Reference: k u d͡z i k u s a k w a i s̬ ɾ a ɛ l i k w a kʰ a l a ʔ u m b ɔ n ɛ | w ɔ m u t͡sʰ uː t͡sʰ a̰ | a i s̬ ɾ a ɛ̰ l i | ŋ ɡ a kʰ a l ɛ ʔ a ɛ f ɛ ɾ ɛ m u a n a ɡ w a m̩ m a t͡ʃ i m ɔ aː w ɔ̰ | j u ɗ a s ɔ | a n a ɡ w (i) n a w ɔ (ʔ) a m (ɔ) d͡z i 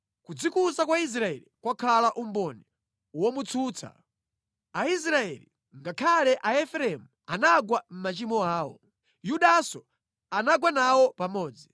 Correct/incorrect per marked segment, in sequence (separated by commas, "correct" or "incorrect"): incorrect, incorrect, incorrect